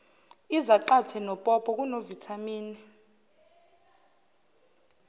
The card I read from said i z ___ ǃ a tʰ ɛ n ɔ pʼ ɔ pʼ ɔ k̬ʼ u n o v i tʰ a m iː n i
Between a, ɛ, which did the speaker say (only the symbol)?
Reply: a